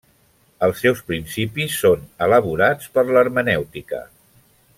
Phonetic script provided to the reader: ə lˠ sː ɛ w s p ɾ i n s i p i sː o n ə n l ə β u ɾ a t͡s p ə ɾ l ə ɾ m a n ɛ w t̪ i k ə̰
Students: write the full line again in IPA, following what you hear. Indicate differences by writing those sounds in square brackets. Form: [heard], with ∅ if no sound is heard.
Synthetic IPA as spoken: ə lˠ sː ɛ w s p ɾ i n s i p i sː o n ə [∅] l ə β u ɾ a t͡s p ə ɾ l ə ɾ m [ə] n ɛ w t̪ i k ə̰

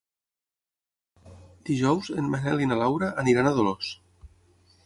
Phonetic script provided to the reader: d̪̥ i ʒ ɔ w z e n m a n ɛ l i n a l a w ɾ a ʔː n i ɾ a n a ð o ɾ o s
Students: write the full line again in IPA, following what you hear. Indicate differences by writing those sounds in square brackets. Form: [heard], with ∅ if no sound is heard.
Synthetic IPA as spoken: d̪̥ i ʒ ɔ w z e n m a n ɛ l i n a l a w ɾ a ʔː n i ɾ a n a ð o [l] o s

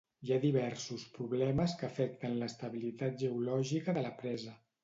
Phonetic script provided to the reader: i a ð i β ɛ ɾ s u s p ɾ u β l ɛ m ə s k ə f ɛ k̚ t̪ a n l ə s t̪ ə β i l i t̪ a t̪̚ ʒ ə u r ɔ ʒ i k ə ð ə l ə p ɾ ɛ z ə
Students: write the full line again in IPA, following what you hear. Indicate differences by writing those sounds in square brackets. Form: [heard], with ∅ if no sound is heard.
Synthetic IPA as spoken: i a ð i β ɛ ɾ s u s p ɾ u β l ɛ m ə s k ə f ɛ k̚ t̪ [ə] n l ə s t̪ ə β i l i t̪ a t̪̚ ʒ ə u [l] ɔ ʒ i k ə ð ə l ə p ɾ ɛ z ə

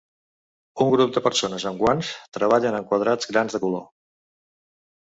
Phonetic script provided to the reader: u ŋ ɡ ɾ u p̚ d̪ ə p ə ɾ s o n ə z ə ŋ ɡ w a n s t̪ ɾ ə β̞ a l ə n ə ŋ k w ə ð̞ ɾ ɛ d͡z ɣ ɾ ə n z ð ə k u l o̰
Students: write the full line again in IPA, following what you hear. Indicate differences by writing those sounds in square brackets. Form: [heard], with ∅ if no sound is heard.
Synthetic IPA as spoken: u ŋ ɡ ɾ u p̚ d̪ ə p ə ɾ s o n ə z ə ŋ ɡ w a n s t̪ ɾ ə β̞ a [ʎ] ə n ə ŋ k w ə ð̞ ɾ [a] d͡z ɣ ɾ [a] n z ð ə k u l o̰

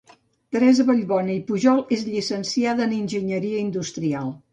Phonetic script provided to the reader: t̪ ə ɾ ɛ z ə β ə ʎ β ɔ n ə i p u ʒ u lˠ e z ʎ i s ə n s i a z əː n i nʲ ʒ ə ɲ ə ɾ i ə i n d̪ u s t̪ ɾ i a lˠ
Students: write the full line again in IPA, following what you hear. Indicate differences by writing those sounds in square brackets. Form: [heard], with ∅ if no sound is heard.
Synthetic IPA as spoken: t̪ ə ɾ ɛ z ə β ə ʎ β ɔ n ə i p u ʒ [ɔ] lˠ e z ʎ i s ə n s i a [ð] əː n i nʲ ʒ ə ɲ ə ɾ i ə i n d̪ u s t̪ ɾ i a lˠ

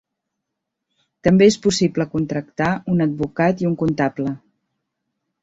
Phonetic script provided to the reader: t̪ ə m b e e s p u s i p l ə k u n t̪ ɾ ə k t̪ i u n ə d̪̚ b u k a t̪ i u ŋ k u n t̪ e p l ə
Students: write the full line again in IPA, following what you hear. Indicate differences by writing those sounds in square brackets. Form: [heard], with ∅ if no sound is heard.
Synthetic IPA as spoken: t̪ ə m b e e s p u s i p l ə k u n t̪ ɾ ə k t̪ [a] u n ə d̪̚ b u k a t̪ i u ŋ k u n t̪ [a] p l ə

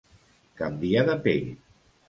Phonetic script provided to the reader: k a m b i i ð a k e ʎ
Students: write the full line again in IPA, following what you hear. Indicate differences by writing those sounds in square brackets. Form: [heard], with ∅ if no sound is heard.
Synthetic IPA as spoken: k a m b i [a] ð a [p] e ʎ

